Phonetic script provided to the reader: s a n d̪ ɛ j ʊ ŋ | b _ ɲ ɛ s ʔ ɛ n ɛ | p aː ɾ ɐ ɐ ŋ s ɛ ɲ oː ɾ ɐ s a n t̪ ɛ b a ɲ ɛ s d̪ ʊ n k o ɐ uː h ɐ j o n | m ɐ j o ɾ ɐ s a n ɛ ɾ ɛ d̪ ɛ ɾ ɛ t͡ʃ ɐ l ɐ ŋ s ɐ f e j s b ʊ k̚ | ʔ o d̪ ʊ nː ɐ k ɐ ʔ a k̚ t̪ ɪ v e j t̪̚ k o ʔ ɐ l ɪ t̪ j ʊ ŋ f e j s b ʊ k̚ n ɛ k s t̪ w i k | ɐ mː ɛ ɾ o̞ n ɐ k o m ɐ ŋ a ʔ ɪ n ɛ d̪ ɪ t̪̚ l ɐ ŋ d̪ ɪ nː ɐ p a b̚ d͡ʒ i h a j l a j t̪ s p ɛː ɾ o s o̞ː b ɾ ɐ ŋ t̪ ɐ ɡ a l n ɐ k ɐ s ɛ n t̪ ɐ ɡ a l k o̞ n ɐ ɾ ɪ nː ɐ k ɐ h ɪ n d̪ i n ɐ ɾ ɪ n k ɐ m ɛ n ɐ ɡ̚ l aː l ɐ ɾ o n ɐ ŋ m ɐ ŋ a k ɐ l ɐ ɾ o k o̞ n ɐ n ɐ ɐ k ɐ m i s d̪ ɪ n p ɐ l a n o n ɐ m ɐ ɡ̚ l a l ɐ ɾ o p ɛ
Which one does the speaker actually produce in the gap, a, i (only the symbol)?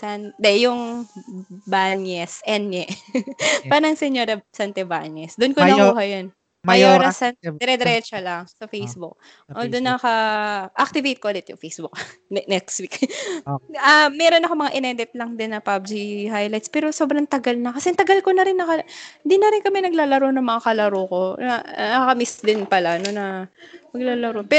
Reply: a